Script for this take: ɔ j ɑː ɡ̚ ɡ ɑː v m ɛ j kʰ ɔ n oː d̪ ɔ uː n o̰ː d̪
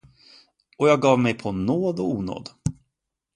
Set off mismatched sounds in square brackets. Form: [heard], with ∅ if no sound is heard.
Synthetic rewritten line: ɔ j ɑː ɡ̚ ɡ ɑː v m ɛ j [pʰ] ɔ n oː d̪ ɔ uː n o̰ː d̪